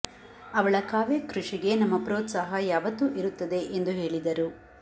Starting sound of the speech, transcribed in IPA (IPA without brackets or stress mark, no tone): ɐ